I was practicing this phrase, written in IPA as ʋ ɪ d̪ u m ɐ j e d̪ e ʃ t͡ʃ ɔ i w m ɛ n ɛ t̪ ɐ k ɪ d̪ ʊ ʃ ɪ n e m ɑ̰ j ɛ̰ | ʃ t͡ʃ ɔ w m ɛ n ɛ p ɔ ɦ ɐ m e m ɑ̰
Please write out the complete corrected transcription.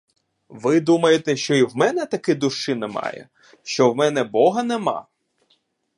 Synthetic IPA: ʋ ɪ d̪ u m ɐ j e t̪ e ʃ t͡ʃ ɔ i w m ɛ n ɛ t̪ ɐ k ɪ d̪ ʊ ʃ ɪ n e m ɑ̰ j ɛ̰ | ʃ t͡ʃ ɔ w m ɛ n ɛ b ɔ ɦ ɐ n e m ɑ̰